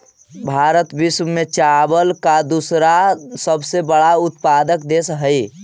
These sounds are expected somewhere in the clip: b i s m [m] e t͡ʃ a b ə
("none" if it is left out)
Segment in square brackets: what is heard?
m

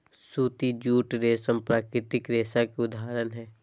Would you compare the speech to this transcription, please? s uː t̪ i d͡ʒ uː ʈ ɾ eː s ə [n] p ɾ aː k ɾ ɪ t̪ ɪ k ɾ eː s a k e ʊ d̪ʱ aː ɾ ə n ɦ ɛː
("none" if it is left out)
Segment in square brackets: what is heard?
m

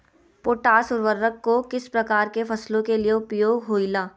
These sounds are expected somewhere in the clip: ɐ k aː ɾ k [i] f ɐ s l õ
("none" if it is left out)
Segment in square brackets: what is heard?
e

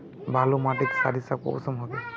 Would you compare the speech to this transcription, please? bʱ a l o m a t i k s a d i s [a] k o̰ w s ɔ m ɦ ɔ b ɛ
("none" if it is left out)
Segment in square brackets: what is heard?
a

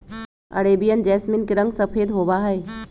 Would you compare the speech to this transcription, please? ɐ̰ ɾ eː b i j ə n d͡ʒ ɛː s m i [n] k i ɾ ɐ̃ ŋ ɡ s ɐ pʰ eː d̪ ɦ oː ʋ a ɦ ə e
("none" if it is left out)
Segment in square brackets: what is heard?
n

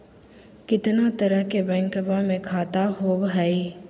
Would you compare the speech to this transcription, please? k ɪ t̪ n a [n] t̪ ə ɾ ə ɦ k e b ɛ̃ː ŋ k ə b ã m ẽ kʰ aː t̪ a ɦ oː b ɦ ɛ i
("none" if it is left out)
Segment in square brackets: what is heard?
none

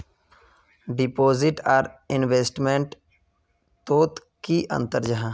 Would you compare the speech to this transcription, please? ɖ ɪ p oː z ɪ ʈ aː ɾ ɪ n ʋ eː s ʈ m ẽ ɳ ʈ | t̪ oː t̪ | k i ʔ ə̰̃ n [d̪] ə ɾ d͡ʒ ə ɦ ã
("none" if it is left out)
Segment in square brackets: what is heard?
t̪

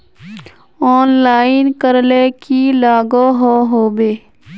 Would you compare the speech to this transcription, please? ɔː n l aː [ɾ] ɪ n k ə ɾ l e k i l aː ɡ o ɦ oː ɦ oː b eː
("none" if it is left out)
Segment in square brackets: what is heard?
none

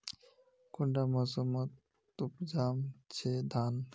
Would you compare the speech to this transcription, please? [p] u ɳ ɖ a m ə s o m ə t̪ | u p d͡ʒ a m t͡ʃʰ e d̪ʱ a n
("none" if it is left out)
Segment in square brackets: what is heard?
k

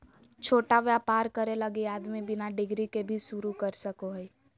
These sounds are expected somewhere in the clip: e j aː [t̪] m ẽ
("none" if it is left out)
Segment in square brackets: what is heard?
d̪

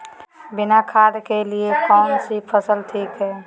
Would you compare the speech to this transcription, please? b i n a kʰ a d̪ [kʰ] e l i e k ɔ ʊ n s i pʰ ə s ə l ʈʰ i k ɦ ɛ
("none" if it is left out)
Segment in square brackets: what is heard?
k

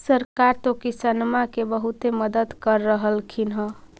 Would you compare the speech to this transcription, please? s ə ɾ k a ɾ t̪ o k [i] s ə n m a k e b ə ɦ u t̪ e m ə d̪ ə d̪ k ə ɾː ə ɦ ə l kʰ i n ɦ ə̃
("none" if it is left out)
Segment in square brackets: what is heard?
i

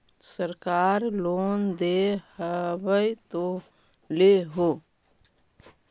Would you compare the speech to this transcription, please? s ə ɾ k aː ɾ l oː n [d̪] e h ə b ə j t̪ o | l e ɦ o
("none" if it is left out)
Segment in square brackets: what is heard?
d̪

